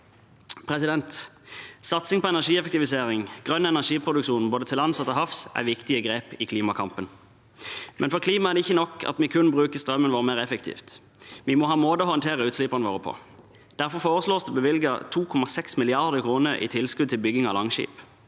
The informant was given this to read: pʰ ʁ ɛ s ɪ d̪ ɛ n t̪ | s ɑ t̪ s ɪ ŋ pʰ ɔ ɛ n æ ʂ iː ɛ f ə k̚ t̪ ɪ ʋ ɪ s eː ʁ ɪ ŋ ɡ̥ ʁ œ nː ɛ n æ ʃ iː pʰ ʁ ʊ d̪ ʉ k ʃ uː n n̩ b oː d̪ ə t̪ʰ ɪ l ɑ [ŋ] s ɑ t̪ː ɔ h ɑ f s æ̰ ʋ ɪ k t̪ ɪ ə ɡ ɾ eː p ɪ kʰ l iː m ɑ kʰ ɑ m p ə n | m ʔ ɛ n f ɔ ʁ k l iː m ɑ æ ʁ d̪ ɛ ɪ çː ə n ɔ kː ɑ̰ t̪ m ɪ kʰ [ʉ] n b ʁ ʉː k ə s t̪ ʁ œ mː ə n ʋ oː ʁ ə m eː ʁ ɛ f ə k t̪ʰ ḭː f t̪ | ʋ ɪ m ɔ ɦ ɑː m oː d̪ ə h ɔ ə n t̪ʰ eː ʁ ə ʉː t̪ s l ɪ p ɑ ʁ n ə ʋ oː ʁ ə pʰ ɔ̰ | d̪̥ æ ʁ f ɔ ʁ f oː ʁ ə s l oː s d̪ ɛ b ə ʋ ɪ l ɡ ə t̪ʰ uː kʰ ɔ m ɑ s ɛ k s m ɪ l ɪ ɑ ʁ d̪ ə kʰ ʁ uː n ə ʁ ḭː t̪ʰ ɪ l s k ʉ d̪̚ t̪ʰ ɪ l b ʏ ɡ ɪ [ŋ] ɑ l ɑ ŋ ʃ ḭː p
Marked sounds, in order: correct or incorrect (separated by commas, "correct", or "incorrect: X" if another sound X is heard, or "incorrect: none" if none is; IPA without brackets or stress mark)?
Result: incorrect: n, correct, correct